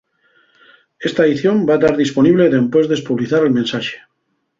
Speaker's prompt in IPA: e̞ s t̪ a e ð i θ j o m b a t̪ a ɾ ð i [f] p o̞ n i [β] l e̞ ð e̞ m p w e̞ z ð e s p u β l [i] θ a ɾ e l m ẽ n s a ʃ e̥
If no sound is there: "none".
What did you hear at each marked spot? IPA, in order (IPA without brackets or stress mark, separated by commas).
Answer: s, β, i